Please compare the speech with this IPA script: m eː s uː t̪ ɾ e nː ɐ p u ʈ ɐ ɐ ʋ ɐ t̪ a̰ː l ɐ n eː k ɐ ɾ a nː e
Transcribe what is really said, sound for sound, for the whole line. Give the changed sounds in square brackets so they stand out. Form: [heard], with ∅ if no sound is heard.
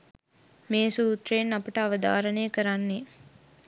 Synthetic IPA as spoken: m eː s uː t̪ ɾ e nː ɐ p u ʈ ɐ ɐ ʋ ɐ [d̪] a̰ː [ɾ] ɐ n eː k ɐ ɾ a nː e